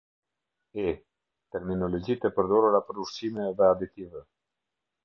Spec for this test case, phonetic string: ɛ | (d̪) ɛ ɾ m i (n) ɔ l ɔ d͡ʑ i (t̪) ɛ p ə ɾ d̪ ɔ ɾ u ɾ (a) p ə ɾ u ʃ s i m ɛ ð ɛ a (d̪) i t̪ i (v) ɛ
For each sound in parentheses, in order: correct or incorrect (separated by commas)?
incorrect, correct, correct, correct, correct, correct